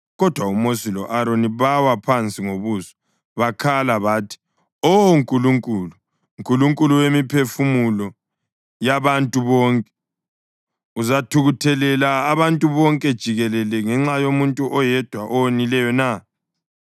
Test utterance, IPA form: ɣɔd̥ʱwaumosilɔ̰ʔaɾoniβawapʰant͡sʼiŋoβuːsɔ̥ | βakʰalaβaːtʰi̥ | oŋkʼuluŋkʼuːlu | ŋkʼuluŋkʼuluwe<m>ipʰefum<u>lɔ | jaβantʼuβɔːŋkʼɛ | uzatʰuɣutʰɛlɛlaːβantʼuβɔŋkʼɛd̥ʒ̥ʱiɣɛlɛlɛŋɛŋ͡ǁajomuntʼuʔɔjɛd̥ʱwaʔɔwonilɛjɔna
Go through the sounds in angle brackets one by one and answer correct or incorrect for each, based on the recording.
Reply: correct, correct

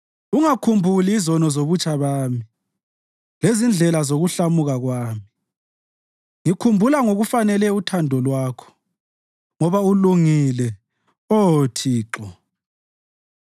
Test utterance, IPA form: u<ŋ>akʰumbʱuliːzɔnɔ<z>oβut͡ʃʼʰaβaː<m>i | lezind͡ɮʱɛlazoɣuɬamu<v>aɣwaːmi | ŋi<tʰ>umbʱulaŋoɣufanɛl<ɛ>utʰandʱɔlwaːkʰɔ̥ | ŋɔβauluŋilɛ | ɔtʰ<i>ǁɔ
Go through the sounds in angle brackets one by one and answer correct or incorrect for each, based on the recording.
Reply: correct, correct, correct, incorrect, incorrect, correct, incorrect

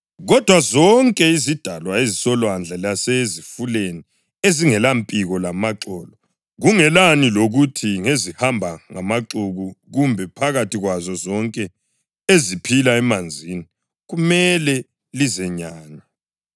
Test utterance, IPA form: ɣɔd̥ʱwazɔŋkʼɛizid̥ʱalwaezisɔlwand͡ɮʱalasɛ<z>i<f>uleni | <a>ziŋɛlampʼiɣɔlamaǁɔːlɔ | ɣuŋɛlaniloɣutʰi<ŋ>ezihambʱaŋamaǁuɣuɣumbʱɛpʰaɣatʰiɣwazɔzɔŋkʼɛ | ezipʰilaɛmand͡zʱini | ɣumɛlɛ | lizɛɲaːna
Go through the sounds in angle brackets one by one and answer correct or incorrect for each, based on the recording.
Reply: correct, correct, incorrect, correct

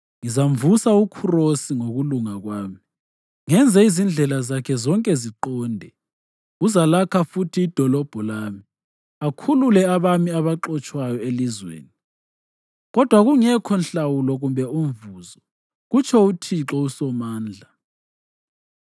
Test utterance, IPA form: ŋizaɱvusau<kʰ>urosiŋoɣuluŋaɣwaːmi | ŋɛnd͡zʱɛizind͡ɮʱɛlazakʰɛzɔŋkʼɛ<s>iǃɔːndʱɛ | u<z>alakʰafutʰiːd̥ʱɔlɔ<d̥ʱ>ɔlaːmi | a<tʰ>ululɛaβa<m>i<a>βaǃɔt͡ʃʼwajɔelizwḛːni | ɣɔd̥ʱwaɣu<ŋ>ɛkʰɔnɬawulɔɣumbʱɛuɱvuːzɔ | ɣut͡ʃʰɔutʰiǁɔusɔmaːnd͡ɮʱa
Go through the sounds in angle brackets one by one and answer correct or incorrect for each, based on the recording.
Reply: correct, incorrect, correct, incorrect, incorrect, correct, correct, correct

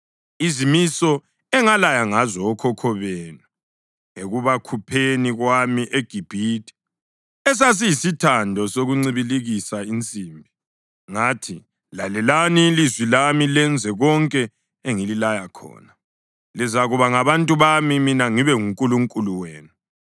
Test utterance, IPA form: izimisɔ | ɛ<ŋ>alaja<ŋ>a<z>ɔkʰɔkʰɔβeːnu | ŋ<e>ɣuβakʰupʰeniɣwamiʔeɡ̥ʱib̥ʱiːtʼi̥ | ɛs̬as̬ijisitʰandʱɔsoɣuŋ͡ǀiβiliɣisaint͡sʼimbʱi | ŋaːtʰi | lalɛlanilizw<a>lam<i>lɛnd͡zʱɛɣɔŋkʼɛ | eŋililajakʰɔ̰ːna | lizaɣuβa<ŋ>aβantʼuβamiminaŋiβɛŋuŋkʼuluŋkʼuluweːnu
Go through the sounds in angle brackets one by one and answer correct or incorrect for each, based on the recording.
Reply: correct, correct, correct, correct, incorrect, correct, correct

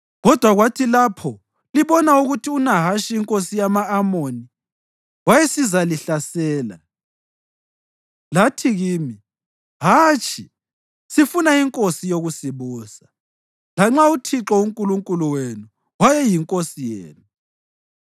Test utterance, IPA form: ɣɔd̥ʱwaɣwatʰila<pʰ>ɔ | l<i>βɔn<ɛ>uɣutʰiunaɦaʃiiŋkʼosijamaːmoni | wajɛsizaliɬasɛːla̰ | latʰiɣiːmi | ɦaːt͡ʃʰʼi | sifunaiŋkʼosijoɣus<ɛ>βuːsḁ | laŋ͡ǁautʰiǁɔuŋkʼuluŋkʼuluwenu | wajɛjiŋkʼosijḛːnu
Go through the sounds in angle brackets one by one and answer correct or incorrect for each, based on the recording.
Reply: correct, correct, incorrect, incorrect

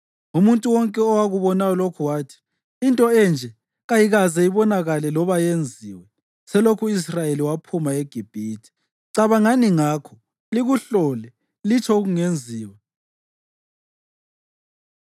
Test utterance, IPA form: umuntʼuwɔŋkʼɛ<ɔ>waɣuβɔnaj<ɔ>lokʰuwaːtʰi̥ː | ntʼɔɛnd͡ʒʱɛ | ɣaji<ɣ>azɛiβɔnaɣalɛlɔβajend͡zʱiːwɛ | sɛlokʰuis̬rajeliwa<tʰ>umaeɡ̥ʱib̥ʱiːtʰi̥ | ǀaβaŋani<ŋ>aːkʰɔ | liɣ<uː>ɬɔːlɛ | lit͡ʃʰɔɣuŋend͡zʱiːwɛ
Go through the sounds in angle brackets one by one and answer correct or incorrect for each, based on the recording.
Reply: correct, correct, correct, incorrect, correct, incorrect

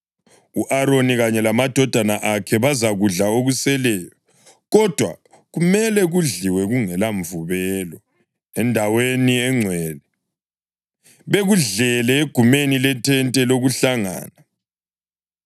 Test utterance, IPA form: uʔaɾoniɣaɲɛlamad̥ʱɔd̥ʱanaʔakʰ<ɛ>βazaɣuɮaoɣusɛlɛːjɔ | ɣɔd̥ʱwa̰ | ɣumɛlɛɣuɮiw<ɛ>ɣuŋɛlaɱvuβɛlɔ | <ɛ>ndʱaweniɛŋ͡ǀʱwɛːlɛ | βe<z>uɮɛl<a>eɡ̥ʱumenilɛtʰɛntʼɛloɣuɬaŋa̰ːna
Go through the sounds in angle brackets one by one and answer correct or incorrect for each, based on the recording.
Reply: correct, correct, correct, incorrect, incorrect

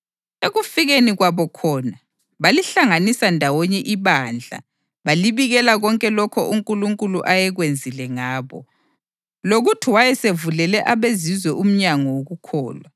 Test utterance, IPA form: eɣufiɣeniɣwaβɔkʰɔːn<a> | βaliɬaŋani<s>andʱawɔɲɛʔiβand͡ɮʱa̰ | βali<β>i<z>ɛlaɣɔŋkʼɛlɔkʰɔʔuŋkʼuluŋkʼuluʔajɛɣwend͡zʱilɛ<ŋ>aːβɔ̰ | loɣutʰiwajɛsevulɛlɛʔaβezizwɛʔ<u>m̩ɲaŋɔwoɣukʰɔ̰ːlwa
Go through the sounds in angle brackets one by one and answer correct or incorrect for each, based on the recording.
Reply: correct, correct, correct, incorrect, correct, correct

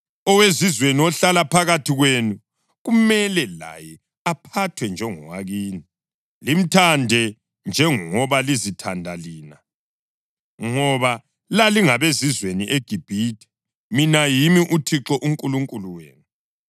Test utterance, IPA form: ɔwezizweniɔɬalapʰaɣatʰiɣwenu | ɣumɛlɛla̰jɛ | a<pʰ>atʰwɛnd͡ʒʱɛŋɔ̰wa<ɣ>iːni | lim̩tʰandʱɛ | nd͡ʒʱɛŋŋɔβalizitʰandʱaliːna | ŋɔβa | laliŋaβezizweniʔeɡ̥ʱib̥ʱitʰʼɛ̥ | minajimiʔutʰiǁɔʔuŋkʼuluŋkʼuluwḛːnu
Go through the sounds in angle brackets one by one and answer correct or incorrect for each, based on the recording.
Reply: correct, correct

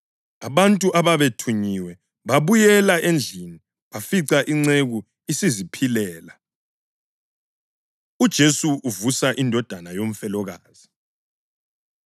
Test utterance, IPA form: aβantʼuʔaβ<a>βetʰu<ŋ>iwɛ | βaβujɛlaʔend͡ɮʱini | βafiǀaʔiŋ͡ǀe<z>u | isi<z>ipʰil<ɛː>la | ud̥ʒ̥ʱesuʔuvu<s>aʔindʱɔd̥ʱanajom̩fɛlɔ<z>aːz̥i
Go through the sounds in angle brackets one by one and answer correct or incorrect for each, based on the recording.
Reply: correct, incorrect, incorrect, correct, correct, correct, incorrect

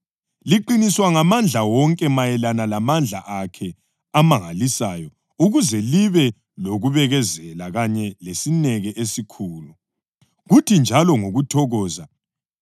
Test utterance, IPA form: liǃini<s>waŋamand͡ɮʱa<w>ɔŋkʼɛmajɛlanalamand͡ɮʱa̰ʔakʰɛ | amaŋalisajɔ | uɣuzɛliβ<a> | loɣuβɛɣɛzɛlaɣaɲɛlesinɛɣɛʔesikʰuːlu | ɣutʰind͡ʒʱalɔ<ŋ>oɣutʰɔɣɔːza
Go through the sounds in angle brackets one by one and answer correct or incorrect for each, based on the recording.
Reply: correct, correct, incorrect, correct

